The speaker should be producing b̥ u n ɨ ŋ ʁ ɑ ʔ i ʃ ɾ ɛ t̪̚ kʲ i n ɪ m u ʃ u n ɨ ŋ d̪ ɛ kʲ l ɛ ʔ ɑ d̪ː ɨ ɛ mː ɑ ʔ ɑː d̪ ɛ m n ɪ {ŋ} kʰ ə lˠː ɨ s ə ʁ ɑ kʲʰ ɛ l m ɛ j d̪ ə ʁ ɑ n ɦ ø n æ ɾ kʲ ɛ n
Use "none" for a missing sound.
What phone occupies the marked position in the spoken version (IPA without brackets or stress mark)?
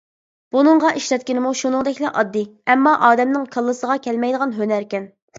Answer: ŋ